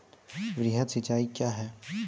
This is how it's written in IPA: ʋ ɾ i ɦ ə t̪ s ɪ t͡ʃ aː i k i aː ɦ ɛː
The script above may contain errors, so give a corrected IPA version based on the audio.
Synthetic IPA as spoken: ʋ ɾ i ɦ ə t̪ s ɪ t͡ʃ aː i k j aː ɦ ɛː